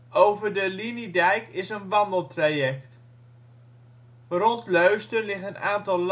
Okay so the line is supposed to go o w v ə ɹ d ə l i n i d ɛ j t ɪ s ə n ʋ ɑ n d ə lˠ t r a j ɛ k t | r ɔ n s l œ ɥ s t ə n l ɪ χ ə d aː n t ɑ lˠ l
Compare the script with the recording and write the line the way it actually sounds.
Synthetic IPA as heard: o w v ə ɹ d ə l i n i d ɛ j k ɪ s ə n ʋ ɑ n d ə lˠ t r a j ɛ k t | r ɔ n t l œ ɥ s t ə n l ɪ χ ə n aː n t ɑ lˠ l

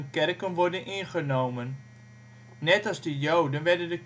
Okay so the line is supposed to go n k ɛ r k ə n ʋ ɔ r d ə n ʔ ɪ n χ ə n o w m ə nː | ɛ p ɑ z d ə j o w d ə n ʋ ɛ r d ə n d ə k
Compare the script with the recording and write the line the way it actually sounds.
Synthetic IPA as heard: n k ɛ r k ə n ʋ ɔ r d ə n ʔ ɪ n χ ə n o w m ə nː | ɛ t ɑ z d ə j o w d ə n ʋ ɛ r d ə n d ə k

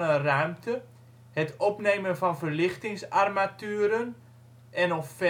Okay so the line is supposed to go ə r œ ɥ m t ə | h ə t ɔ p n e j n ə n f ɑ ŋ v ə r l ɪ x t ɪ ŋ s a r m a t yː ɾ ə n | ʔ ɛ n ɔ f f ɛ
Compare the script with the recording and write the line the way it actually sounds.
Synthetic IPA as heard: ə r œ ɥ m t ə | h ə t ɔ p n e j m ə n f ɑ n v ə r l ɪ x t ɪ ŋ s a r m a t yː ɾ ə n | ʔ ɛ n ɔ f f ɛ

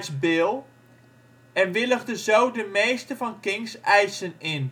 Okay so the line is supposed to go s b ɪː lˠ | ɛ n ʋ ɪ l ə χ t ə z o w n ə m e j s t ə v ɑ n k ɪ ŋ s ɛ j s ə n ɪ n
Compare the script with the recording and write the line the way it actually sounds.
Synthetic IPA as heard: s b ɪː lˠ | ɛ n ʋ ɪ l ə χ d ə z o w d ə m e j s t ə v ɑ n k ɪ ŋ s ɛ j s ə n ɪ n

